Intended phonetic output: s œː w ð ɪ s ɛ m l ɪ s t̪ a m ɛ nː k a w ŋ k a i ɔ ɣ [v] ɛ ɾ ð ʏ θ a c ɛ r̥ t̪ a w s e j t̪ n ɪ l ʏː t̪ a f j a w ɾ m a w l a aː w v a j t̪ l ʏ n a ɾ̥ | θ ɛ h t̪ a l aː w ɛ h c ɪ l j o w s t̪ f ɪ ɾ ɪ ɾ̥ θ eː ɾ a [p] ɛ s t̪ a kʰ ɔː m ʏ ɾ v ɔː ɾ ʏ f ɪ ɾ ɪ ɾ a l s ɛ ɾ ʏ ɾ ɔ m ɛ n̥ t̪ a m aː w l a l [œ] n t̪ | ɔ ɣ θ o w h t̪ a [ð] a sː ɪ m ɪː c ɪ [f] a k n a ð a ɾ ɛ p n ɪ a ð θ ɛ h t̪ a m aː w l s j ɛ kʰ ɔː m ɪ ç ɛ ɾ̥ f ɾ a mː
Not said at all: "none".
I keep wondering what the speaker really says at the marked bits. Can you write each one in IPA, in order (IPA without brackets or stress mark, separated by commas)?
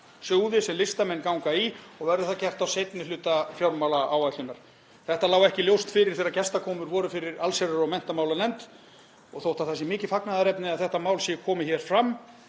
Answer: v, c, ɛ, θ, f